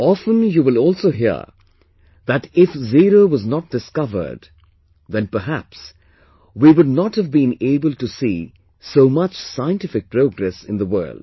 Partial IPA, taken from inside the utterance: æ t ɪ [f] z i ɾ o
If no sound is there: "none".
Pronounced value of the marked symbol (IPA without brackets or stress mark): f